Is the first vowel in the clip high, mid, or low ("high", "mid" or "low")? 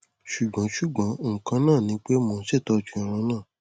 high